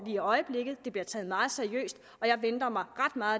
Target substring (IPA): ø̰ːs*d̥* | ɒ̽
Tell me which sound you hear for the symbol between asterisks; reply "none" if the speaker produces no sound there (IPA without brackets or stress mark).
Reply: d̥